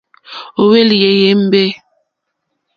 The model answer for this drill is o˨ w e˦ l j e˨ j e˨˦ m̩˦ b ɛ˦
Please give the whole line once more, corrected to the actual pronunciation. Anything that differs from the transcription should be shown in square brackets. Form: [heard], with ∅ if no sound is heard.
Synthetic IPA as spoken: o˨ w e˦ l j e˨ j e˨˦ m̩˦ b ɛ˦